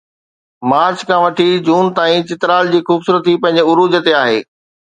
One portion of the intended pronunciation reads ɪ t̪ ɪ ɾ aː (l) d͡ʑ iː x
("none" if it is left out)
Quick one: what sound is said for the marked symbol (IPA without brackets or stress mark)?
l